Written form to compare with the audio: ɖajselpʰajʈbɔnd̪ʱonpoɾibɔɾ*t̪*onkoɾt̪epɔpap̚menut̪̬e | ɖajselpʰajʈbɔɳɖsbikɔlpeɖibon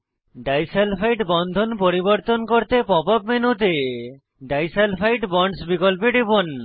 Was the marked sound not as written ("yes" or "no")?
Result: no